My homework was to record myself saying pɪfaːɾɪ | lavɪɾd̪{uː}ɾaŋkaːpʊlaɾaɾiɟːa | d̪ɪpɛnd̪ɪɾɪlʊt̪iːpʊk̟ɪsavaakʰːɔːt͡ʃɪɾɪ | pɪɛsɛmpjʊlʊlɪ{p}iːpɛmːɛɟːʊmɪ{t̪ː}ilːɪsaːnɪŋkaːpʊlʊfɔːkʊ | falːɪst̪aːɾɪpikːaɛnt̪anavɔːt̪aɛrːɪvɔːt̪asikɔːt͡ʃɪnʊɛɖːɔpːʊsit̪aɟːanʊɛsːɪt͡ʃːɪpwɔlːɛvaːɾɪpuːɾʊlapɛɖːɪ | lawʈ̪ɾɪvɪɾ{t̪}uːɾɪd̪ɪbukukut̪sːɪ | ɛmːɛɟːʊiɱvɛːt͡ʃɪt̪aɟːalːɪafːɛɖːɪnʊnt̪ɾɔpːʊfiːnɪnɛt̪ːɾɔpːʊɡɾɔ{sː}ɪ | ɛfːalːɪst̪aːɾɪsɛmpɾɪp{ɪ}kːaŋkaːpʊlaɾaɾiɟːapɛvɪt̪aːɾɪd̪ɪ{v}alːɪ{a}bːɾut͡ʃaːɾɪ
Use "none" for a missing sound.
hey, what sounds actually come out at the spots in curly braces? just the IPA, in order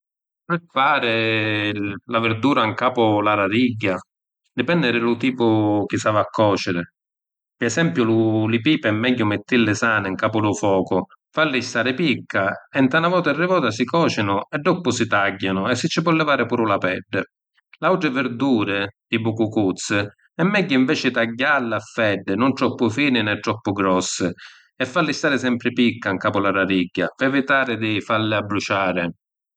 uː, p, t̪ː, d̪, sː, i, f, a

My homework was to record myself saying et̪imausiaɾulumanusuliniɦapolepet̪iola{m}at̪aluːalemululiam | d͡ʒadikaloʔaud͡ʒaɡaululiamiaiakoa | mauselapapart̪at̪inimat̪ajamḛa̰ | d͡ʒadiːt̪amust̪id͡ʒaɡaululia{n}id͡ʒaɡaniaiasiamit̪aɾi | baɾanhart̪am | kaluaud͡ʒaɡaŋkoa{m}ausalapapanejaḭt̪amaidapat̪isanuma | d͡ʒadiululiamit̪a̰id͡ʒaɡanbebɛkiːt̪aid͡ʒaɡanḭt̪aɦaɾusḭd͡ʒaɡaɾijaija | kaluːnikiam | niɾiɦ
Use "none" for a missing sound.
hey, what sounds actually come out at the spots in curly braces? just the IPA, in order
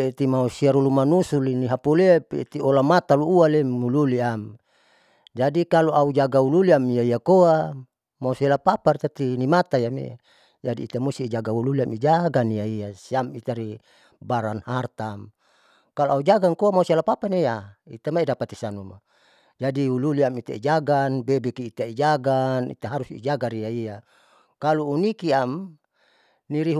m, m, m

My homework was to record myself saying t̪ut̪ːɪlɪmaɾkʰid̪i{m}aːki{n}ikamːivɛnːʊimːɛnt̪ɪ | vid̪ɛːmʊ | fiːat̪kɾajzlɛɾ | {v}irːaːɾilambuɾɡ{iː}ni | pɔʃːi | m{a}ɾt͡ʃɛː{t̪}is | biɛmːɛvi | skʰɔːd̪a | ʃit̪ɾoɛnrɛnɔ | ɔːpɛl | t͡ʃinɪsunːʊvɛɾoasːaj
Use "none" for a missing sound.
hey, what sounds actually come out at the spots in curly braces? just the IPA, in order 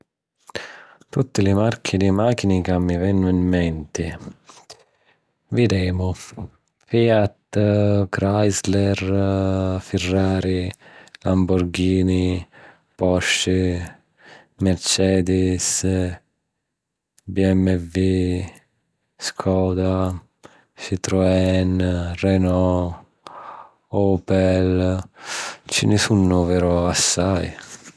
m, n, f, iː, ɛ, d̪

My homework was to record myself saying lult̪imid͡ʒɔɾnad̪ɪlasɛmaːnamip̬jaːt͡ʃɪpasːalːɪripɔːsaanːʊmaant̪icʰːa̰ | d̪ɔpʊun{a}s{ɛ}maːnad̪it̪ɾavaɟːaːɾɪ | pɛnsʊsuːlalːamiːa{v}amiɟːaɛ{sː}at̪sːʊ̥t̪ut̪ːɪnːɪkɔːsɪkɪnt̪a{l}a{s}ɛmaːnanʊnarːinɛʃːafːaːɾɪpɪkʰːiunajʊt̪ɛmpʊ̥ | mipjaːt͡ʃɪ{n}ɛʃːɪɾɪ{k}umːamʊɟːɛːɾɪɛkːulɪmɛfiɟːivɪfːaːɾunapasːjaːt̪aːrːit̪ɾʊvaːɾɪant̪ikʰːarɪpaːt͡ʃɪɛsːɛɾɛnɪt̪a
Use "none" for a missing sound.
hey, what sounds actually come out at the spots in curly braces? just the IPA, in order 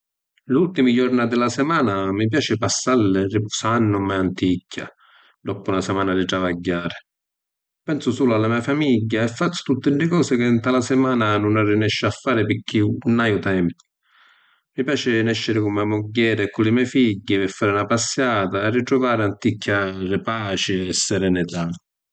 a, ɛ, f, fː, l, s, n, k

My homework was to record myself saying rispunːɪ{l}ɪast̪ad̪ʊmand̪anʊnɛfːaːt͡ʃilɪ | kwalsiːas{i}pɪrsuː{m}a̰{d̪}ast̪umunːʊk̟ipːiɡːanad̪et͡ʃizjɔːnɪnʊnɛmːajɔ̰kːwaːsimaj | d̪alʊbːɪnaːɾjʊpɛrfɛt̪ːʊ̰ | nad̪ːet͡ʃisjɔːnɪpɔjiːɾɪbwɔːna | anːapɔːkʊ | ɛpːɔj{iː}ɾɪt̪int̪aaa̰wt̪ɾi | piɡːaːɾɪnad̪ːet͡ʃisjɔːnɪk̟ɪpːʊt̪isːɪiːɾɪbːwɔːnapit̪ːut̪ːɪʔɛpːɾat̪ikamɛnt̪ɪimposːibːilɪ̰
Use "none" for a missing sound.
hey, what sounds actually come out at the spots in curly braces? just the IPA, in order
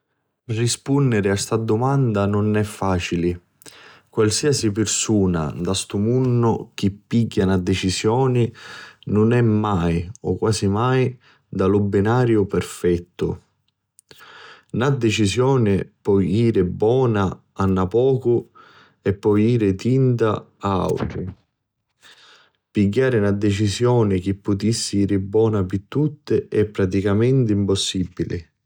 ɾ, i, n, d̪, iː

